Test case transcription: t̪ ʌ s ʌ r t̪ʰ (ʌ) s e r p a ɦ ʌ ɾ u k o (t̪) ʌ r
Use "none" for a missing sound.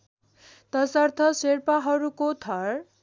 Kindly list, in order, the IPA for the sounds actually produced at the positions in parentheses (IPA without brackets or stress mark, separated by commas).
ʌ, t̪ʰ